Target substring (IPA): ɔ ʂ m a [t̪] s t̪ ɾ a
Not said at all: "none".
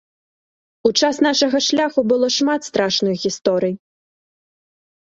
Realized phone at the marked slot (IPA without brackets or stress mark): t̪